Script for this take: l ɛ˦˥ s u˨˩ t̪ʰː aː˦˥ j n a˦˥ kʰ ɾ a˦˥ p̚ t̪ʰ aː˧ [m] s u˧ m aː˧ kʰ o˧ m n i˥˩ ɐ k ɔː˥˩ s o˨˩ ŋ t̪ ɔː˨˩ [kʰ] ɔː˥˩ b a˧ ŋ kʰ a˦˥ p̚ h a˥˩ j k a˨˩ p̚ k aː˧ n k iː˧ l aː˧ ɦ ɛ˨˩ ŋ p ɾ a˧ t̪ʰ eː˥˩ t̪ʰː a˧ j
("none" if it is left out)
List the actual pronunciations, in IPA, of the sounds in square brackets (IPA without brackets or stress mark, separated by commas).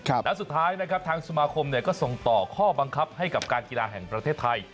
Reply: ŋ, kʰ